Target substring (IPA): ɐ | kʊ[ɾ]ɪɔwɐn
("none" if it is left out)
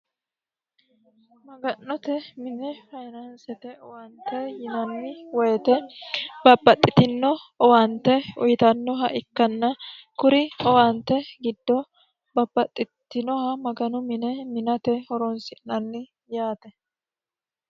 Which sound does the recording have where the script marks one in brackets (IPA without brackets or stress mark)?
ɾ